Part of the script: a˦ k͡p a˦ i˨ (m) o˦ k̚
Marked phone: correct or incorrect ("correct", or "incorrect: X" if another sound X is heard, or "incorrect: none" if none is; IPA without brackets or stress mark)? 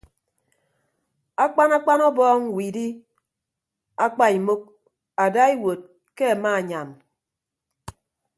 correct